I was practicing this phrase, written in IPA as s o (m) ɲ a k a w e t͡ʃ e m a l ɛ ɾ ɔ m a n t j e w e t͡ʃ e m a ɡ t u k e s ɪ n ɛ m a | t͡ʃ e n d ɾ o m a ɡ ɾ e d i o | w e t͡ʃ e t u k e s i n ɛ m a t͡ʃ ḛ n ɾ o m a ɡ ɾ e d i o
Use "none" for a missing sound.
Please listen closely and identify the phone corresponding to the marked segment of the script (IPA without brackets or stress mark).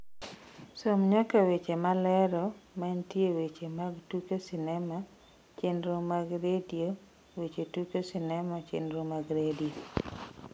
m